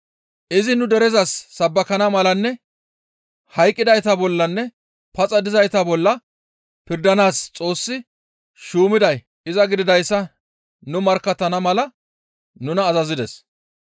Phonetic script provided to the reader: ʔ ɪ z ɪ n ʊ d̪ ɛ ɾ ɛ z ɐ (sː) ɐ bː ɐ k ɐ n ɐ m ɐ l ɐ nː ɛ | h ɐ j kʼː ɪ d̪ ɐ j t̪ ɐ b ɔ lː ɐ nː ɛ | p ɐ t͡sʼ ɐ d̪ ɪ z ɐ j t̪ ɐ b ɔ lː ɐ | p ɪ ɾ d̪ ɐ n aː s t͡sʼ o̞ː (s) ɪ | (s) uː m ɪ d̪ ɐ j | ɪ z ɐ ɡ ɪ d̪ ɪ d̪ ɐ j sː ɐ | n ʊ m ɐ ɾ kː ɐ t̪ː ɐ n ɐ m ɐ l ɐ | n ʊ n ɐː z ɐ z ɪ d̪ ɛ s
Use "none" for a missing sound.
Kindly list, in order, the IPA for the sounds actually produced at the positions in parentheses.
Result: sː, sː, ʃ

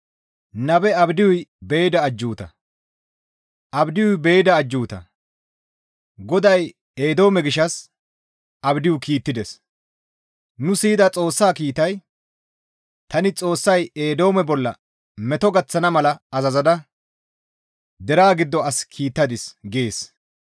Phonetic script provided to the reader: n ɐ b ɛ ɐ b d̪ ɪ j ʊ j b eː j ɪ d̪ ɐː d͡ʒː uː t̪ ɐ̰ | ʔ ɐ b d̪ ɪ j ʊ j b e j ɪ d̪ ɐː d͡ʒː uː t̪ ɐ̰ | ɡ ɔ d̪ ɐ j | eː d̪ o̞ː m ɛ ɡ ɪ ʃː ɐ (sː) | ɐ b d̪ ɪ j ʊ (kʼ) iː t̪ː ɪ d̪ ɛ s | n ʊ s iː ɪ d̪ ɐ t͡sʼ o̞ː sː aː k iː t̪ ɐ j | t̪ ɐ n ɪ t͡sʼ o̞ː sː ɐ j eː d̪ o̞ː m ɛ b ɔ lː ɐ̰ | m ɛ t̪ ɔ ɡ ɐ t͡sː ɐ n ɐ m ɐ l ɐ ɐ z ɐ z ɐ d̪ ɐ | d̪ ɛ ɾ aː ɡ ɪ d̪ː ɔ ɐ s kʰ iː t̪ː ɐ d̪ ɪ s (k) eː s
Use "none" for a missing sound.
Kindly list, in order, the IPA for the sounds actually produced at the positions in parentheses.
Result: s, k, ɡ

